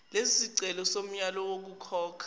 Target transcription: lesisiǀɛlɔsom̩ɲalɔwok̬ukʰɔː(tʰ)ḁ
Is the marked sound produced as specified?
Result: no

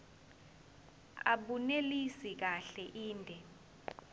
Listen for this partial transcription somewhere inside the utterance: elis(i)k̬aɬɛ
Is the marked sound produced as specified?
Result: yes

